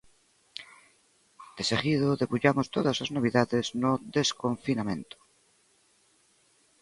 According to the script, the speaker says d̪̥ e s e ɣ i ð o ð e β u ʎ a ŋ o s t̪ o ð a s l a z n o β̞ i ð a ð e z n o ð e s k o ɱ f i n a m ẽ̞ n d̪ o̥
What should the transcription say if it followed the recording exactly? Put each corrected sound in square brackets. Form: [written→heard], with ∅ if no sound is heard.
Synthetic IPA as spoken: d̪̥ e s e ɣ i ð o ð e β u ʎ a [ŋ→m] o s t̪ o ð a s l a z n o β̞ i ð a ð e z n o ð e s k o ɱ f i n a m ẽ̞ n [d̪→t̪] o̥